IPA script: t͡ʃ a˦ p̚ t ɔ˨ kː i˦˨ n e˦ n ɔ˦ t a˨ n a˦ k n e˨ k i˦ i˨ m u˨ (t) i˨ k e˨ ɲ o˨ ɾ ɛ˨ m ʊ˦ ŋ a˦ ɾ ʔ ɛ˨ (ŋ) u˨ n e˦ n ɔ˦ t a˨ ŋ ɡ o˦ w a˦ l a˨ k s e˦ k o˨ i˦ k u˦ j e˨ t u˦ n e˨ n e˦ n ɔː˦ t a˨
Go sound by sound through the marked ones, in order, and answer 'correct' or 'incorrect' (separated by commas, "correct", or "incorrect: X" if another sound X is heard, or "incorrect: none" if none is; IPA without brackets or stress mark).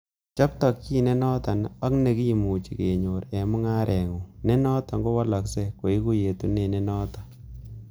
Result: incorrect: t͡ʃ, correct